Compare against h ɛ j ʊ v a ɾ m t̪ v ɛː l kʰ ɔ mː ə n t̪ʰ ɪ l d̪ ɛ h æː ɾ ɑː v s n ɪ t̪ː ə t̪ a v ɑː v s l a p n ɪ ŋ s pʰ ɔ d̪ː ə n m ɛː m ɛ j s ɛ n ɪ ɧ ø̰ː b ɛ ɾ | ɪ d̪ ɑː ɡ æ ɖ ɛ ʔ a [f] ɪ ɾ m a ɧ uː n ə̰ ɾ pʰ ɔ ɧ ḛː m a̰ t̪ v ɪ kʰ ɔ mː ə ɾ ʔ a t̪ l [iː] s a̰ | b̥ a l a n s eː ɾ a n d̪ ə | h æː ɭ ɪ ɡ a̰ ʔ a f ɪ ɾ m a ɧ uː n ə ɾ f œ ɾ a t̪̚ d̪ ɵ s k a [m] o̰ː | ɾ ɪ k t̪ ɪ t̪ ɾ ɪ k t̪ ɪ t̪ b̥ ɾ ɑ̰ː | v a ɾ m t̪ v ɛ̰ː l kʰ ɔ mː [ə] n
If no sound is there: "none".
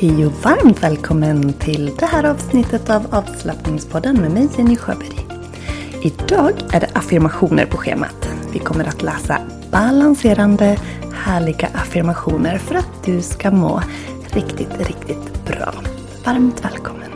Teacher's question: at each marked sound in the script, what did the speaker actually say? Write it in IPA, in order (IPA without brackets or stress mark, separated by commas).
f, ɛː, m, ə